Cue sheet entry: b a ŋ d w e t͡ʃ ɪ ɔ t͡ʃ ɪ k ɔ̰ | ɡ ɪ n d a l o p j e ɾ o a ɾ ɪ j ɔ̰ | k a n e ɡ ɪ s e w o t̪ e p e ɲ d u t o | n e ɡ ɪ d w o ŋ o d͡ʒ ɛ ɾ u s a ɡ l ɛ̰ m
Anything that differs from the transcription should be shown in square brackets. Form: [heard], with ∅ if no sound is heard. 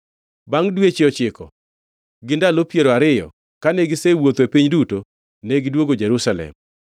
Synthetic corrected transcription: b a ŋ d w e t͡ʃ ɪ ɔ t͡ʃ ɪ k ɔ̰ | ɡ ɪ n d a l o p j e ɾ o a ɾ ɪ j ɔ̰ | k a n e ɡ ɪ s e w o t̪ e p [i] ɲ d u t o | n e ɡ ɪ d w o [ɡ] o d͡ʒ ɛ ɾ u s a [∅] l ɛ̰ m